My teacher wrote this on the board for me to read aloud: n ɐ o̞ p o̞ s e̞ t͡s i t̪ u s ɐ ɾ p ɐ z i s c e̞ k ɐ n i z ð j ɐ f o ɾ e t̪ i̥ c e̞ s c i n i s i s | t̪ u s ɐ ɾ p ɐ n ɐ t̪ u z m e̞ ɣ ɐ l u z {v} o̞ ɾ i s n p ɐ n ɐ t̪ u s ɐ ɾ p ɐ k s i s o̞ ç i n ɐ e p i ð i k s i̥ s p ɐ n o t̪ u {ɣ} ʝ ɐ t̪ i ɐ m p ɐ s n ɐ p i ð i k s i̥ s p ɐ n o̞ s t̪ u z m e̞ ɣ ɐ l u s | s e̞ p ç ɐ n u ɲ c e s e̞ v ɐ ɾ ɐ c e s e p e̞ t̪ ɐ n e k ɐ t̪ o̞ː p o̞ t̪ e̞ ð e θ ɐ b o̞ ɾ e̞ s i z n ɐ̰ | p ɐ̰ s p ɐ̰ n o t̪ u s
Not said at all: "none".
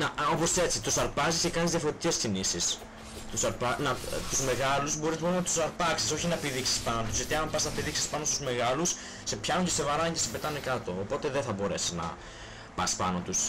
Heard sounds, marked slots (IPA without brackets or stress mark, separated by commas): b, z